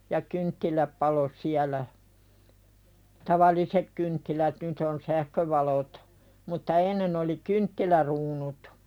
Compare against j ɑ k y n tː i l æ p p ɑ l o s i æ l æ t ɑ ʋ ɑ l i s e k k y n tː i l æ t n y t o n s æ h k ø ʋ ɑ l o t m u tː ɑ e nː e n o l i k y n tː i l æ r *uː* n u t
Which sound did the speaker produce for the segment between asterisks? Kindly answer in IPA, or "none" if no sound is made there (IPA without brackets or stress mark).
uː